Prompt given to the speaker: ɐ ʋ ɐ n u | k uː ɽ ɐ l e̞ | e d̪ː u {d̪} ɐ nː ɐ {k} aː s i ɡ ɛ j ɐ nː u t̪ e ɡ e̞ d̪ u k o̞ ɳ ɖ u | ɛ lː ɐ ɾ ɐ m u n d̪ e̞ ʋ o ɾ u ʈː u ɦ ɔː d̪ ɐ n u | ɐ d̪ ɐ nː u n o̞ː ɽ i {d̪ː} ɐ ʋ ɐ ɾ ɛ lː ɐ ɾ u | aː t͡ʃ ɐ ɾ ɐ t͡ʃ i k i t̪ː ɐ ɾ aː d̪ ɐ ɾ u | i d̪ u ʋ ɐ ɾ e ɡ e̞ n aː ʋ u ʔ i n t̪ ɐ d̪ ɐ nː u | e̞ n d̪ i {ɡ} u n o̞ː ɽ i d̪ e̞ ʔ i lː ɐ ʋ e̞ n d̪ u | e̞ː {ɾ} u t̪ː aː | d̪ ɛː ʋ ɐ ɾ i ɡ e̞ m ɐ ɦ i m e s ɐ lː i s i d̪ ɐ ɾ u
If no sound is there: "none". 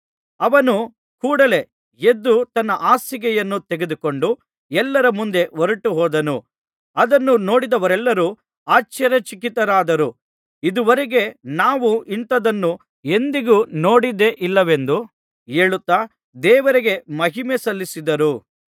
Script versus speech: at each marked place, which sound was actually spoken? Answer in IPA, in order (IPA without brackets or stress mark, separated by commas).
t̪, ʔ, d̪, ɡ, ɭ